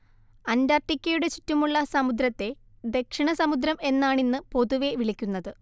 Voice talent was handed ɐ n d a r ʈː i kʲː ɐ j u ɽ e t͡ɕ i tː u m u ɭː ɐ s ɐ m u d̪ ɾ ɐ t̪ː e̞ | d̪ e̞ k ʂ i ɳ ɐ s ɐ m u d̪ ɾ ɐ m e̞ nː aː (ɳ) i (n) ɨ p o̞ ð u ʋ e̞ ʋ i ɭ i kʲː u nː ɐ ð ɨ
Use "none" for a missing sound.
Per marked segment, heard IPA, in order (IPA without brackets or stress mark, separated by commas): ɳ, nː